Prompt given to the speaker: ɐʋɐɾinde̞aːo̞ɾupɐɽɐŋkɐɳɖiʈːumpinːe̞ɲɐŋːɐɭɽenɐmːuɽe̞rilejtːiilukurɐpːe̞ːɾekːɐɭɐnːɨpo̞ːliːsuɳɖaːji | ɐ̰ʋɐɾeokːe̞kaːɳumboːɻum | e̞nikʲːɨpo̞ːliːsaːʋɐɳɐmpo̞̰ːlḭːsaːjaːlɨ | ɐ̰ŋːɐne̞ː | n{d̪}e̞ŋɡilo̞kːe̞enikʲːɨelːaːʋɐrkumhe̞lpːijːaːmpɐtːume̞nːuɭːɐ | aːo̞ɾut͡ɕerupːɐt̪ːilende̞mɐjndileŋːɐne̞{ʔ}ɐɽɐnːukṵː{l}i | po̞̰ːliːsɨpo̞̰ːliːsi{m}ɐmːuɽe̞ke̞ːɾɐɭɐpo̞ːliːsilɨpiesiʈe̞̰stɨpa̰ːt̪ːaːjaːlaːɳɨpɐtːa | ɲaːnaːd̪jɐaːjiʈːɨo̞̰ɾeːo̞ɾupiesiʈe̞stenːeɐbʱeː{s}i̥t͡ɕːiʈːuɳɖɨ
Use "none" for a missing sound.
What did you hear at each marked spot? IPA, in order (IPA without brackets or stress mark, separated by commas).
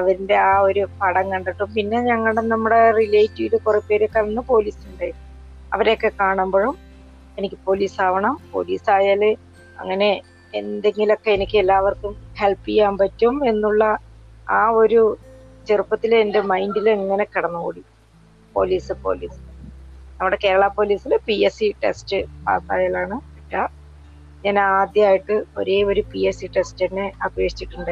d̪, k, ɽ, n, ʂ